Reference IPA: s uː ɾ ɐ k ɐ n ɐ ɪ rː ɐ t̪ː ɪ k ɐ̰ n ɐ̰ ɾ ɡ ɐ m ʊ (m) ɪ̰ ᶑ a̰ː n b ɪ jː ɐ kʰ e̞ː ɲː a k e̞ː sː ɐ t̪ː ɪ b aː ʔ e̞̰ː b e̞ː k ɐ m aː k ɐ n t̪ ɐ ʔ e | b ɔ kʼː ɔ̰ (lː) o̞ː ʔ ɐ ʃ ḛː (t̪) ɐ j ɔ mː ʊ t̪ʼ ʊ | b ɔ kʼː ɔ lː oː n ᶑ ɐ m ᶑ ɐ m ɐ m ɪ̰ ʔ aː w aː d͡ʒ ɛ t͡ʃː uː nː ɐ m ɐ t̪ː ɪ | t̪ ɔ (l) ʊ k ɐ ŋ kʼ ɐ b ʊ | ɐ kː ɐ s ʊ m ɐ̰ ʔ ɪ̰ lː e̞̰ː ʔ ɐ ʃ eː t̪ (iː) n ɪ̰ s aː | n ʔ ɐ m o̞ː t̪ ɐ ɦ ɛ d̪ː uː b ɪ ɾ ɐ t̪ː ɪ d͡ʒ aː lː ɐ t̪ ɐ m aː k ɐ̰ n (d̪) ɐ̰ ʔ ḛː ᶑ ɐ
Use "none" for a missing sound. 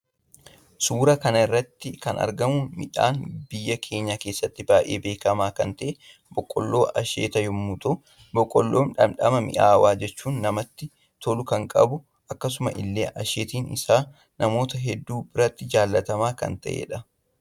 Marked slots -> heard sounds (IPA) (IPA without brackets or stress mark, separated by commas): m, lː, t̪, l, iː, t̪